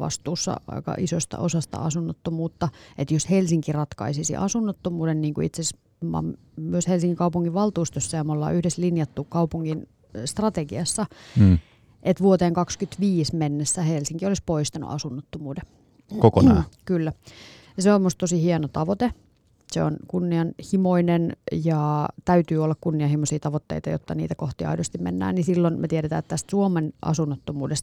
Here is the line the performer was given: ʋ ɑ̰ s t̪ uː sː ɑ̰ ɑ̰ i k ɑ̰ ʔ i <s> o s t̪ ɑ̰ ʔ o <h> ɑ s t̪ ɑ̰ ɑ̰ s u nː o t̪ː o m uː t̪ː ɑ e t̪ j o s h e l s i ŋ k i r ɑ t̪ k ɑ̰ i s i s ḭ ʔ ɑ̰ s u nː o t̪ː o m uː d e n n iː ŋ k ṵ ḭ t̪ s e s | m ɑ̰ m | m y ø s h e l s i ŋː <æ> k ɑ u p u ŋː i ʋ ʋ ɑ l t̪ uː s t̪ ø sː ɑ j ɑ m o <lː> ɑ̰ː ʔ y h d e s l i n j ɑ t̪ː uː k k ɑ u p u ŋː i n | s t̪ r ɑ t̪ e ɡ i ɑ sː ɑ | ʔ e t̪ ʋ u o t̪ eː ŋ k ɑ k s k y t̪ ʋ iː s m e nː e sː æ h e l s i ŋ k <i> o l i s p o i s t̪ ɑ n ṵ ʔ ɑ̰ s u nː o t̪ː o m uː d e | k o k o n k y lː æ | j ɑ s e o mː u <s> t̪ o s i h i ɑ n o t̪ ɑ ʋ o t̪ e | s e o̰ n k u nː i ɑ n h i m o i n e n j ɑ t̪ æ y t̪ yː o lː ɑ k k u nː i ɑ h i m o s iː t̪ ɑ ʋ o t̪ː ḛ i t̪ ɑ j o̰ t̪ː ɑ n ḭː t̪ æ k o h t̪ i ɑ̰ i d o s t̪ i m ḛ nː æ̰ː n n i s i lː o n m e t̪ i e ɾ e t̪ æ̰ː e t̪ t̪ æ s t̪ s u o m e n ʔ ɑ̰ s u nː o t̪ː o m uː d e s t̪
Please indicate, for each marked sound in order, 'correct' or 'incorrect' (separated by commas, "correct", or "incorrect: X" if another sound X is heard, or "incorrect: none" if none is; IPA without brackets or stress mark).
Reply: correct, incorrect: s, incorrect: i, correct, correct, correct